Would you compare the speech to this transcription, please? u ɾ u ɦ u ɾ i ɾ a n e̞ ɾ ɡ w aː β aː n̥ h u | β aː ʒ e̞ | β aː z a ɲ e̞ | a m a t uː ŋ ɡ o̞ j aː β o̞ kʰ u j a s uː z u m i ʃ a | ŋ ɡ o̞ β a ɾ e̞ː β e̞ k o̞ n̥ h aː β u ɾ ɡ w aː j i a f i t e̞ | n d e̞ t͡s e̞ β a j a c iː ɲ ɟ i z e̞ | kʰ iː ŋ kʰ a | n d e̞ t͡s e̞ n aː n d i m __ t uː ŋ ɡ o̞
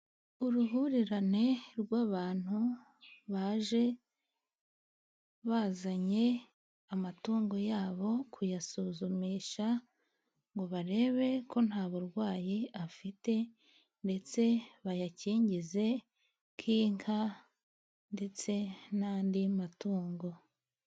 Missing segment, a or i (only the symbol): a